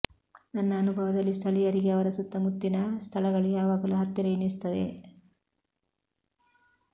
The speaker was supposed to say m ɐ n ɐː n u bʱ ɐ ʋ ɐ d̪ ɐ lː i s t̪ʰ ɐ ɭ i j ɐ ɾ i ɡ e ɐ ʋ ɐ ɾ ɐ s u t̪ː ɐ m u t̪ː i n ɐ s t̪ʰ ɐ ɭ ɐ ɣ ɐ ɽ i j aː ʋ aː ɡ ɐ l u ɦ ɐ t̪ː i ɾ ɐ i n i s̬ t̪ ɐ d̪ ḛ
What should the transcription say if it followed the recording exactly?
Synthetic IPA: n ɐ nː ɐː n u bʱ ɐ ʋ ɐ d̪ ɐ lː i s t̪ʰ ɐ ɭ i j ɐ ɾ i ɡ e ɐ ʋ ɐ ɾ ɐ s u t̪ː ɐ m u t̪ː i n ɐ s t̪ʰ ɐ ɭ ɐ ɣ ɐ ɭ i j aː ʋ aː ɡ ɐ l u ɦ ɐ t̪ː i ɾ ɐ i n i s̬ t̪ ɐ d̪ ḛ

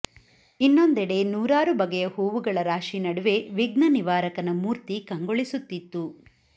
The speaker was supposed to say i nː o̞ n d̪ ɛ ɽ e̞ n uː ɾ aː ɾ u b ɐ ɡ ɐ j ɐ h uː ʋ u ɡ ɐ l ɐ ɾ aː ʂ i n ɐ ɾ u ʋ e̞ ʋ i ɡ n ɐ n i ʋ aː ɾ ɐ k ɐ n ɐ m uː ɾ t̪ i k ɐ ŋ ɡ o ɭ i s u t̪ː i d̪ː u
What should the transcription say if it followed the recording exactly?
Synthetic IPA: i nː o̞ n d̪ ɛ ɽ e̞ n uː ɾ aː ɾ u b ɐ ɡ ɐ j ɐ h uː ʋ u ɡ ɐ ɭ ɐ ɾ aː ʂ i n ɐ ɽ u ʋ e̞ ʋ i ɡ n ɐ n i ʋ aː ɾ ɐ k ɐ n ɐ m uː ɾ t̪ i k ɐ ŋ ɡ o ɭ i s u t̪ː i t̪ː u

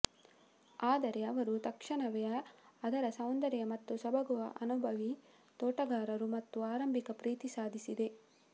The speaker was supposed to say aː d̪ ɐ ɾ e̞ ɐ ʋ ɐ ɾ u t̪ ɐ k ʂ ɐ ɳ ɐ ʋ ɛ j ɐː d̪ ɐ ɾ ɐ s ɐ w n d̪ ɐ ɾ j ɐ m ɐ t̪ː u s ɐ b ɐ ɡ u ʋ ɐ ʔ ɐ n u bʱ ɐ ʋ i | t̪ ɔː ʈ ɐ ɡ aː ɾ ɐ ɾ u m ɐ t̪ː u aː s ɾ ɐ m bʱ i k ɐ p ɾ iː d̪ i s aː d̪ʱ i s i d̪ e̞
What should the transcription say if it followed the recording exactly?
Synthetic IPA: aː d̪ ɐ ɾ e̞ ɐ ʋ ɐ ɾ u t̪ ɐ k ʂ ɐ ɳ ɐ ʋ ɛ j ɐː d̪ ɐ ɾ ɐ s ɐ w n d̪ ɐ ɾ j ɐ m ɐ t̪ː u s ɐ b ɐ ɡ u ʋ ɐ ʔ ɐ n u bʱ ɐ ʋ i | t̪ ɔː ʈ ɐ ɡ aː ɾ ɐ ɾ u m ɐ t̪ː u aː ɾ ɐ m bʱ i k ɐ p ɾ iː t̪ i s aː d̪ʱ i s i d̪ e̞

